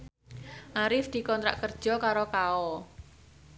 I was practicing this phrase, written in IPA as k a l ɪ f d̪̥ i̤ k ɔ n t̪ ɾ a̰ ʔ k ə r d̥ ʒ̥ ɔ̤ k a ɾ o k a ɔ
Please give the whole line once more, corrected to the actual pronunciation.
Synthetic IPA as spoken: ʔ a ɾ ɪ f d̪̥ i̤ k ɔ n t̪ ɾ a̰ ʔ k ə r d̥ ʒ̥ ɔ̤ k a ɾ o k a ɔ